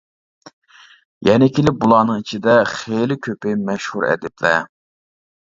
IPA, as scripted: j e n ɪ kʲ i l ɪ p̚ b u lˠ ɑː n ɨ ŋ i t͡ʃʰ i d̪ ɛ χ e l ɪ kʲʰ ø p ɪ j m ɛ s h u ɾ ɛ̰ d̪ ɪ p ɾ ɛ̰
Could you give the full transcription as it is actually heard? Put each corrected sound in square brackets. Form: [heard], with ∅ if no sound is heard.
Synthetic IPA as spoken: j [ɛ] n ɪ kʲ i l ɪ p̚ b u lˠ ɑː n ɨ ŋ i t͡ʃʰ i d̪ ɛ χ e l ɪ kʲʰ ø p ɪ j m ɛ [ʃ] h u ɾ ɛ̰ d̪ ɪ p [l] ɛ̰